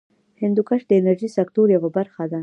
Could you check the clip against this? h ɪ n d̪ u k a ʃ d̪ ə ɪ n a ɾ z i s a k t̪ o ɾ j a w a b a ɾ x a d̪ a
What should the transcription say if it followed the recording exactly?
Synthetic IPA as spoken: h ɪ n d̪ u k a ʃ d̪ ə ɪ n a ɾ ʒ i s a k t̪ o ɾ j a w a b a ɾ x a d̪ a